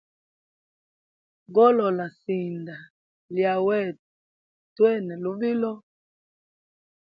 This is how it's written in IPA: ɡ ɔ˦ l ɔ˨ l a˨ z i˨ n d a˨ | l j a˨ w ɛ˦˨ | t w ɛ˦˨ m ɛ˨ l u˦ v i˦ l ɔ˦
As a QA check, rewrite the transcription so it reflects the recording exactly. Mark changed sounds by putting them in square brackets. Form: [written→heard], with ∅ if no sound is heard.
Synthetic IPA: ɡ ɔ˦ l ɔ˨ l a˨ [z→s] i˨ n d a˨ | l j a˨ w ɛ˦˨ | t w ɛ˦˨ [m→n] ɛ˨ l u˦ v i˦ l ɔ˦